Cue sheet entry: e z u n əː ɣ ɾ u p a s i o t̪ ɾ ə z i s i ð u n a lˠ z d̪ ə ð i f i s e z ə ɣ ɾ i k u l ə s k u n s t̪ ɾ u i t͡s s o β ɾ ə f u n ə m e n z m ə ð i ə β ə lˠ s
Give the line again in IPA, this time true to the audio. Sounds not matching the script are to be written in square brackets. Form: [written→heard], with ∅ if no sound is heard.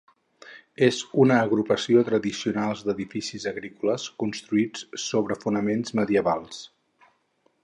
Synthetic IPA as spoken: e z u n əː ɣ ɾ u p [a→ə] s i o t̪ ɾ ə [z→ð] i s i [ð→∅] u n a lˠ z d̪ ə ð i f i s [e→i] z ə ɣ ɾ i k u l ə s k u n s t̪ ɾ u i t͡s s o β ɾ ə f u n ə m e n z m ə ð i ə β [ə→a] lˠ s